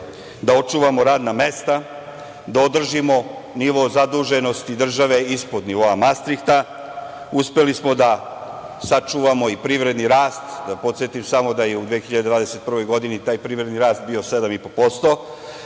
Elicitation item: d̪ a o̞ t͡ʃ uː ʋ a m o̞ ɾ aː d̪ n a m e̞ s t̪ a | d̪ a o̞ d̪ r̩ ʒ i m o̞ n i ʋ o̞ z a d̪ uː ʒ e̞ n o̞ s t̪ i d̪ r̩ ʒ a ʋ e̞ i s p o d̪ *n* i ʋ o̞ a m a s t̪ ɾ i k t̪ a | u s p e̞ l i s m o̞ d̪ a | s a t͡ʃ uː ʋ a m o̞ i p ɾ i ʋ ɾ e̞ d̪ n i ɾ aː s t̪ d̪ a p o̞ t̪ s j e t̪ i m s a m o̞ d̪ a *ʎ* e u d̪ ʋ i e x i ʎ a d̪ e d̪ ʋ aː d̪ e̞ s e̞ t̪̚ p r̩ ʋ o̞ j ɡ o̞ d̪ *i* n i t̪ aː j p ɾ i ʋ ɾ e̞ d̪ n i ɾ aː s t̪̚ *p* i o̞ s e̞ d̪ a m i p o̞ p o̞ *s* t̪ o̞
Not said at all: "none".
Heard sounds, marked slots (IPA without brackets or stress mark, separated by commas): n, j, i, b, s